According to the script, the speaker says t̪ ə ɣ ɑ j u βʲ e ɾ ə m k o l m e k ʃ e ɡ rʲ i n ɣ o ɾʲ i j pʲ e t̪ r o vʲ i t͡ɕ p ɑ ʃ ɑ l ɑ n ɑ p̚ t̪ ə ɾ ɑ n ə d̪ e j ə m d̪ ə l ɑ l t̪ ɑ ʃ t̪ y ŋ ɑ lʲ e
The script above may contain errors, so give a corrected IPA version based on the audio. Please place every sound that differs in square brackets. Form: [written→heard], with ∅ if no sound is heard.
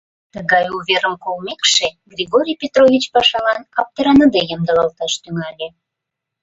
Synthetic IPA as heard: t̪ ə ɣ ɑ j u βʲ e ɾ ə m k o l m e k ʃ e ɡ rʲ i [n→∅] ɣ o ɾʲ i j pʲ e t̪ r o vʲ i t͡ɕ p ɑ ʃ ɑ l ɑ n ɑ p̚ t̪ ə ɾ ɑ n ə d̪ e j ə m d̪ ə l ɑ l t̪ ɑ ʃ t̪ y ŋ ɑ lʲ e